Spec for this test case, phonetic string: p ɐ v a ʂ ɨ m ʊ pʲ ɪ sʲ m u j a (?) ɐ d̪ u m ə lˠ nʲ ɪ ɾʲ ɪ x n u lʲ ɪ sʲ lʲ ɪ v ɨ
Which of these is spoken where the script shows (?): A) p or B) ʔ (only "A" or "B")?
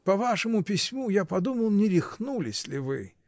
A